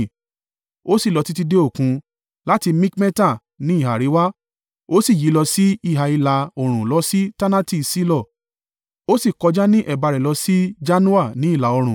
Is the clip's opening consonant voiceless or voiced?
voiceless